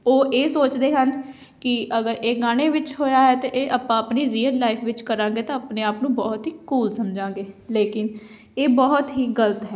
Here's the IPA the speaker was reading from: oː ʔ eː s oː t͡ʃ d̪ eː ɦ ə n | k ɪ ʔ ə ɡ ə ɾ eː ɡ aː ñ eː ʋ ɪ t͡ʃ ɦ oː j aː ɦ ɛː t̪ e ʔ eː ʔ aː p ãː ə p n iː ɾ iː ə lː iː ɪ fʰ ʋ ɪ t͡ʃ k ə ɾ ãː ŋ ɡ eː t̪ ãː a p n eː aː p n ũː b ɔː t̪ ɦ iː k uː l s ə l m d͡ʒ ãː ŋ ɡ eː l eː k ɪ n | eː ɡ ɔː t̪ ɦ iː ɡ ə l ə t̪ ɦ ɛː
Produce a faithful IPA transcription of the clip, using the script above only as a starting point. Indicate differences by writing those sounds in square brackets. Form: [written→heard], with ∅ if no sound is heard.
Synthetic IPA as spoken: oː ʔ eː s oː t͡ʃ d̪ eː ɦ ə n | k ɪ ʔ ə ɡ ə ɾ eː ɡ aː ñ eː ʋ ɪ t͡ʃ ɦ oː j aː ɦ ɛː t̪ e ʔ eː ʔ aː p ãː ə p n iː ɾ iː ə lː [iː→aː] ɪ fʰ ʋ ɪ t͡ʃ k ə ɾ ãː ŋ ɡ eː t̪ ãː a p n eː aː p n ũː b ɔː t̪ ɦ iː k uː l s ə [l→∅] m d͡ʒ ãː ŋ ɡ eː l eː k ɪ n | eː [ɡ→b] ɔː t̪ ɦ iː ɡ ə l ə t̪ ɦ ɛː

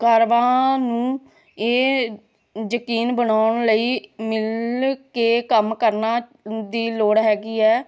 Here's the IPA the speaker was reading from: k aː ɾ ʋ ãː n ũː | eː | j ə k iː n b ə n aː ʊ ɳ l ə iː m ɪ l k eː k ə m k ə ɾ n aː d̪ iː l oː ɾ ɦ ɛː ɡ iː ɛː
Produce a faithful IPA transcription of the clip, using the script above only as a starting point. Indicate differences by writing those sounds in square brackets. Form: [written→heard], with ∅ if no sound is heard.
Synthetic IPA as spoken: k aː ɾ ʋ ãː n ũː | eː | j ə k iː n b ə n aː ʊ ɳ l ə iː m ɪ l k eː k ə m k ə ɾ n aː d̪ iː l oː [ɾ→ɽ] ɦ ɛː ɡ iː ɛː

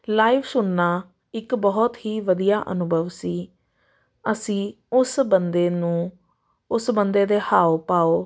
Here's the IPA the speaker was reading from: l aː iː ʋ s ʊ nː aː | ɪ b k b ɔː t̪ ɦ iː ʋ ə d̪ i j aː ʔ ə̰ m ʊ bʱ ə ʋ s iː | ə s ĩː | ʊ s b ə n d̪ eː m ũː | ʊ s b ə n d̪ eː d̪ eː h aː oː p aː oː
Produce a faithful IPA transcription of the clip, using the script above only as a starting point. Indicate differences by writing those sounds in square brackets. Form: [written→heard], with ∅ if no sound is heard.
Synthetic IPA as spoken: l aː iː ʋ s ʊ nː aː | ɪ [b→∅] k b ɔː t̪ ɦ iː ʋ ə d̪ i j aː ʔ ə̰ [m→n] ʊ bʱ ə ʋ s iː | ə s ĩː | ʊ s b ə n d̪ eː [m→n] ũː | ʊ s b ə n d̪ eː d̪ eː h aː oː p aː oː

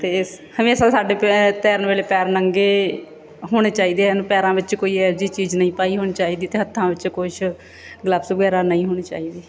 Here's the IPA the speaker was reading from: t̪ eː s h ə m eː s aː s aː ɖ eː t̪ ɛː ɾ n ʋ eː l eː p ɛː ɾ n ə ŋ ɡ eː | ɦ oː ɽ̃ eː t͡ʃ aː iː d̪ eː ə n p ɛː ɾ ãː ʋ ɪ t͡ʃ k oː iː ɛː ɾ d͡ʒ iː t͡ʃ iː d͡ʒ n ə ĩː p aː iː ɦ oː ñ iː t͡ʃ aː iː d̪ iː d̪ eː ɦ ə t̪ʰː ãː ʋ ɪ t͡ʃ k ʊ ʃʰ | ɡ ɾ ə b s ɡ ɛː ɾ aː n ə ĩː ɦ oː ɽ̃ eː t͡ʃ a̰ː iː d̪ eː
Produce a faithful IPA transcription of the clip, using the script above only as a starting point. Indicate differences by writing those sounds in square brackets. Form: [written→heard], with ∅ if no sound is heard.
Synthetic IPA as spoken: t̪ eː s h ə m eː s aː s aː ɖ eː t̪ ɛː ɾ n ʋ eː l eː p ɛː ɾ n ə ŋ ɡ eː | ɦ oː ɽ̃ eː t͡ʃ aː iː d̪ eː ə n p ɛː ɾ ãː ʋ ɪ t͡ʃ k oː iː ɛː ɾ d͡ʒ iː t͡ʃ iː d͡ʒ n ə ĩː p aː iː ɦ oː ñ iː t͡ʃ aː iː d̪ iː [d̪→t̪] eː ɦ ə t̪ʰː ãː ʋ ɪ t͡ʃ k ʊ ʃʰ | ɡ [ɾ→l] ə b s ɡ ɛː ɾ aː n ə ĩː ɦ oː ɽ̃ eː t͡ʃ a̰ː iː d̪ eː

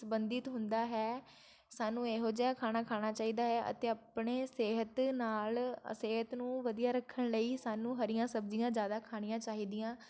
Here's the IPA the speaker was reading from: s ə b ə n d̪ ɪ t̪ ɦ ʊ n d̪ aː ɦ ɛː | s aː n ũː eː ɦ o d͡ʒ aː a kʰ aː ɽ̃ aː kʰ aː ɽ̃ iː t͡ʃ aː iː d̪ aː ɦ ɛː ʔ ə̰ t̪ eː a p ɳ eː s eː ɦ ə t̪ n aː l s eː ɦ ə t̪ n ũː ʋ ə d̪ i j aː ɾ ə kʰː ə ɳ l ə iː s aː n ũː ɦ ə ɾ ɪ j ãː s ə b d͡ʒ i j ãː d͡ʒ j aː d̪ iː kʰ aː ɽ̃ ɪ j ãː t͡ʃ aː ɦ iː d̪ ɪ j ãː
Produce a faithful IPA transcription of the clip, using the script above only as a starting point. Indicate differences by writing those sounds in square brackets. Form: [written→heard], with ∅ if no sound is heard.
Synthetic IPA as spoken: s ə b ə n d̪ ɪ t̪ ɦ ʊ n d̪ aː ɦ ɛː | s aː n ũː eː ɦ o d͡ʒ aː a kʰ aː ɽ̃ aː kʰ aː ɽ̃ [iː→aː] t͡ʃ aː iː d̪ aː ɦ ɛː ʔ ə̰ t̪ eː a p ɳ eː s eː ɦ ə t̪ n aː l s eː ɦ ə t̪ n ũː ʋ ə d̪ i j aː ɾ ə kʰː ə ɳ l ə iː s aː n ũː ɦ ə ɾ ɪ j ãː s ə b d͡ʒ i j ãː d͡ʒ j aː d̪ [iː→aː] kʰ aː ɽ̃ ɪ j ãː t͡ʃ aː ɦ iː d̪ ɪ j ãː

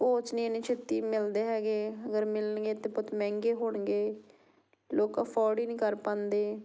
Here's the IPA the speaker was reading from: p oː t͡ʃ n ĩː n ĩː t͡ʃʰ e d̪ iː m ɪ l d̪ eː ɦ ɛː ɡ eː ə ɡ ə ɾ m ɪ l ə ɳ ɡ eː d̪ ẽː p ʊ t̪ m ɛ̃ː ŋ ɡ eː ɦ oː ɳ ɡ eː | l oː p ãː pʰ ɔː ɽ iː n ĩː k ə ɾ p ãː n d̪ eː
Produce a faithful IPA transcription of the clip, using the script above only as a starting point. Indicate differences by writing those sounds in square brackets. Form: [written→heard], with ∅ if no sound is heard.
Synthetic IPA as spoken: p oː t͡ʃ n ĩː n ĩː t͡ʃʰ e [d̪→t̪] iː m ɪ l d̪ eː ɦ ɛː ɡ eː ə ɡ ə ɾ m ɪ l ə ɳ ɡ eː [d̪→t̪] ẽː p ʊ t̪ m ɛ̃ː ŋ ɡ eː ɦ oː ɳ ɡ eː | l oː [p→k] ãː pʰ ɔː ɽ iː n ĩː k ə ɾ p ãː n d̪ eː

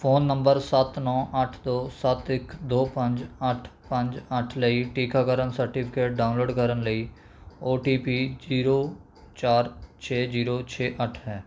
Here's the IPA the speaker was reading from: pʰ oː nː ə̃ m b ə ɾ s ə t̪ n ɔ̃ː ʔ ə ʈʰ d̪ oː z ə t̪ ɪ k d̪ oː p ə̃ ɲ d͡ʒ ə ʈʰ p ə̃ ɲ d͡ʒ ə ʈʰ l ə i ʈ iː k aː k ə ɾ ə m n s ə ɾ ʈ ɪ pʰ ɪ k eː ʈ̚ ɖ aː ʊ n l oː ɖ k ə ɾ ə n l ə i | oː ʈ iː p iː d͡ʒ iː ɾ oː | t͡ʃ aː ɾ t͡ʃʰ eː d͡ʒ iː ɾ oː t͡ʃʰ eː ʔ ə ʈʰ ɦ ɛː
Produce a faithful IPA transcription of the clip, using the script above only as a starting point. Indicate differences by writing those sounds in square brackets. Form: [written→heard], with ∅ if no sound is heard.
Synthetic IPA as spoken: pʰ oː nː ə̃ m b ə ɾ s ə t̪ n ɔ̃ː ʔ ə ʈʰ d̪ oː [z→s] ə t̪ ɪ k d̪ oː p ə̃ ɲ d͡ʒ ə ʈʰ p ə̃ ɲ d͡ʒ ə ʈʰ l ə i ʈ iː k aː k ə ɾ ə [m→∅] n s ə ɾ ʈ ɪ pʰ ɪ k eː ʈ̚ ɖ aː ʊ n l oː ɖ k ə ɾ ə n l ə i | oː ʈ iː p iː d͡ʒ iː ɾ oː | t͡ʃ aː ɾ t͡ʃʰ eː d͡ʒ iː ɾ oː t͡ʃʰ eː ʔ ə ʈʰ ɦ ɛː

